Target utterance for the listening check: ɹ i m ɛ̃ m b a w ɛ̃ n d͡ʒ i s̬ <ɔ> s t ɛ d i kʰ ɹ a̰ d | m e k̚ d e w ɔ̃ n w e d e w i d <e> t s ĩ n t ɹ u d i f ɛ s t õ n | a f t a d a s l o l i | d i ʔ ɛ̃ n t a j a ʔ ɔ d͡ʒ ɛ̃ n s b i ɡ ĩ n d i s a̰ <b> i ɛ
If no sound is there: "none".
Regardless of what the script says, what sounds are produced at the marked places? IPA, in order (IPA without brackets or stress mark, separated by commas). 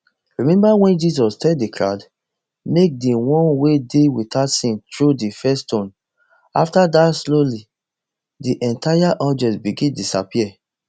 ɔ, a, p